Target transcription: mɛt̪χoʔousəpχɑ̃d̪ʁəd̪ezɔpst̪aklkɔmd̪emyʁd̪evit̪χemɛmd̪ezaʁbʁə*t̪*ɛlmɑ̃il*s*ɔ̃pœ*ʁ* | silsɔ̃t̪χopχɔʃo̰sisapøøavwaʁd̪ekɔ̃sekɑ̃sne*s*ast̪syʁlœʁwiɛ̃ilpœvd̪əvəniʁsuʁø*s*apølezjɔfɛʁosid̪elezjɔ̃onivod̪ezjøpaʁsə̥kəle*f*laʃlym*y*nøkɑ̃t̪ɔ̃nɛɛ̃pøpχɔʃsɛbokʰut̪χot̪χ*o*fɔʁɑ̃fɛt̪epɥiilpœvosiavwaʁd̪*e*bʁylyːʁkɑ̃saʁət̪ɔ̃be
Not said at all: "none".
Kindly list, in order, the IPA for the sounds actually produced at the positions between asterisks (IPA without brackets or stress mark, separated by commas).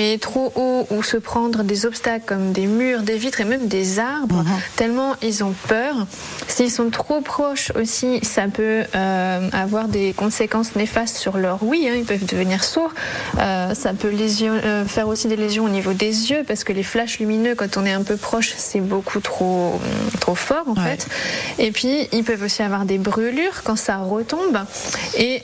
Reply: t̪, z, ʁ, f, s, f, i, o, e